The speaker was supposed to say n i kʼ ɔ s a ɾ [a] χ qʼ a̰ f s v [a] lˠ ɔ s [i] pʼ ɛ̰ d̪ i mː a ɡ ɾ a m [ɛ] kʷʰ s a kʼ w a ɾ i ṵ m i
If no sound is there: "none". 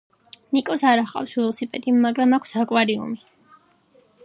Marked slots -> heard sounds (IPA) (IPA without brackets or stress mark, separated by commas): a, ɛ, i, a